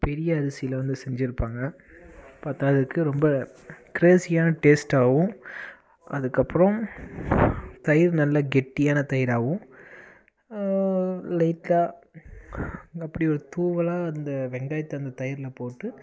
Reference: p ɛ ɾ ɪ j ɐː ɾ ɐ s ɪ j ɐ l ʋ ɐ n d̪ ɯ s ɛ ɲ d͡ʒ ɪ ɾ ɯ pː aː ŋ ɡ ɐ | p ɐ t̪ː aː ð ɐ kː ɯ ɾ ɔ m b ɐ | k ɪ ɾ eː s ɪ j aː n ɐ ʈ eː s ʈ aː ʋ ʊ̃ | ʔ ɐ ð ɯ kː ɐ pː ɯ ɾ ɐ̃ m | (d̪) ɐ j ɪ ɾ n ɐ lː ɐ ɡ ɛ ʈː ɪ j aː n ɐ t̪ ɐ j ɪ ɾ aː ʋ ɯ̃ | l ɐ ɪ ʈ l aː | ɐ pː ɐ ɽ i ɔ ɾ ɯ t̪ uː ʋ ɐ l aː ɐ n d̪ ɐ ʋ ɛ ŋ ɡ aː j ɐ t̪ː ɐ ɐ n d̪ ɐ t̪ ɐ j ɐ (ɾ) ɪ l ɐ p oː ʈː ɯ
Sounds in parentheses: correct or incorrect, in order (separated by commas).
incorrect, correct